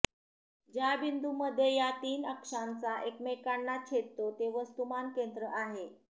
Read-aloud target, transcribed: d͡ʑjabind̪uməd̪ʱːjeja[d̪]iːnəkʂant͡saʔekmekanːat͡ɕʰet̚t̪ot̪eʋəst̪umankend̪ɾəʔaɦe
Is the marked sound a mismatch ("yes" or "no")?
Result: yes